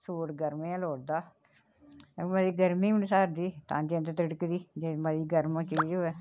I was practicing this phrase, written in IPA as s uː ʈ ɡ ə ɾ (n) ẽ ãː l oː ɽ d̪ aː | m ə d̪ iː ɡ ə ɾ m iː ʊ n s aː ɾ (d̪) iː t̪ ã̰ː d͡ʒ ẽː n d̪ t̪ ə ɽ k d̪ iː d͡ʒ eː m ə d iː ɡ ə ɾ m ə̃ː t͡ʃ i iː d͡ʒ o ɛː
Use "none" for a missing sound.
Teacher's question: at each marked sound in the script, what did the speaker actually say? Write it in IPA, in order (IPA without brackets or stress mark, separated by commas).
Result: m, d̪